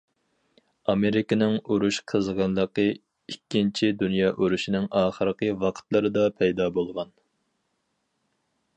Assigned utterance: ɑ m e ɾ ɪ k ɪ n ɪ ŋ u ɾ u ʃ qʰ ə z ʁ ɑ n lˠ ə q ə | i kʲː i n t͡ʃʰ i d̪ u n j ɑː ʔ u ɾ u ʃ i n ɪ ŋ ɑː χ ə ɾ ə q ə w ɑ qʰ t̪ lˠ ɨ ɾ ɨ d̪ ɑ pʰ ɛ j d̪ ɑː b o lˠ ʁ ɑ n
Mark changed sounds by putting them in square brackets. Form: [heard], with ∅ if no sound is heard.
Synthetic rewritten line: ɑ m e ɾ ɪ k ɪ n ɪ ŋ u ɾ u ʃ qʰ ə z ʁ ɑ n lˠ ə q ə | i kʲː i n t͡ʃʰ i d̪ u n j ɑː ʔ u ɾ u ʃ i n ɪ ŋ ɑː χ ə ɾ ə q ə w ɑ qʰ t̪ lˠ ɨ ɾ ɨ d̪ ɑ pʰ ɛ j d̪ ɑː b o lˠ ʁ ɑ n